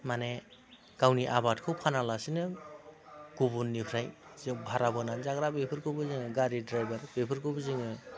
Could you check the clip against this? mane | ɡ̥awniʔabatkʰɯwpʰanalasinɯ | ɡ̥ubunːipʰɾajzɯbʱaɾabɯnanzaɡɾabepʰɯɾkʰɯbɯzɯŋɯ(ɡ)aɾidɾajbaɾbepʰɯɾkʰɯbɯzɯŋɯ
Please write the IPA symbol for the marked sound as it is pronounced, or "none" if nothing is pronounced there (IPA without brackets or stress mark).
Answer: ɡ